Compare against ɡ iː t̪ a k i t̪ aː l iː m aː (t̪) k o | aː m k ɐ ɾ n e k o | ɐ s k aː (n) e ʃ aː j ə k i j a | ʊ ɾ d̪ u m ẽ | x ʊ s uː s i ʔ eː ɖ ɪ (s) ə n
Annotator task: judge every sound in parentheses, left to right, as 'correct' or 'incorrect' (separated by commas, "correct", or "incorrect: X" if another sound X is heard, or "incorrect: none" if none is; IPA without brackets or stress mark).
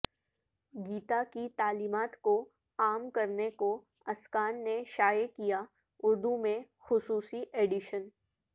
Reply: correct, incorrect: nː, incorrect: ʃ